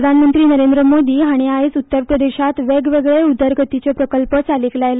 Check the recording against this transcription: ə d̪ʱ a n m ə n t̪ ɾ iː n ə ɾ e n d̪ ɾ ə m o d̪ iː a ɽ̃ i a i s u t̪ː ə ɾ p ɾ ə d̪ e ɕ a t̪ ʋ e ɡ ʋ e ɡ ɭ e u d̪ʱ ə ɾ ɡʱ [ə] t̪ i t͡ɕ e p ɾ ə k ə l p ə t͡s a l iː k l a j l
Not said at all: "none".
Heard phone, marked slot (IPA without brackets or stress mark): ə